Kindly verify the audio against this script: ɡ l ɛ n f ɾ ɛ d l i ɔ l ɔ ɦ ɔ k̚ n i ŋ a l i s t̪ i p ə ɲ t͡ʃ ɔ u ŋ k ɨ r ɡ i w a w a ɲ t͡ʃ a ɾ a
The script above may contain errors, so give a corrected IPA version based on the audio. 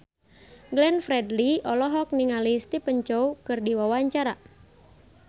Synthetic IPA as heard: ɡ l ɛ n f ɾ ɛ d l i ɔ l ɔ ɦ ɔ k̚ n i ŋ a l i s t̪ i p ə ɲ t͡ʃ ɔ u k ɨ r d i w a w a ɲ t͡ʃ a ɾ a